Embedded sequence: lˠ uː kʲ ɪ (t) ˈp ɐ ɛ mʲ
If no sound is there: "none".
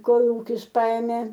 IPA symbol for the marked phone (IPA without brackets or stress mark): s